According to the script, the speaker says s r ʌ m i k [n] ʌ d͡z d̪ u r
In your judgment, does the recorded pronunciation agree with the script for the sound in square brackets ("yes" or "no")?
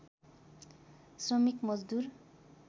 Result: no